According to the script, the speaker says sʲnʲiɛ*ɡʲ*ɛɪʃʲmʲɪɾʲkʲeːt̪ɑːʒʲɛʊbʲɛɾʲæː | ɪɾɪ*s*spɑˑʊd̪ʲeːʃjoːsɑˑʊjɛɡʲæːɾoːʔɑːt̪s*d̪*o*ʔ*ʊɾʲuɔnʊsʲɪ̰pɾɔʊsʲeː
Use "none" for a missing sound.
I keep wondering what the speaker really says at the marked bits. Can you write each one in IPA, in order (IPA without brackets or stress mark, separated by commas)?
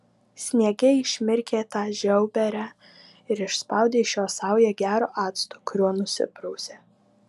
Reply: ɡʲ, ʃ, t̪, k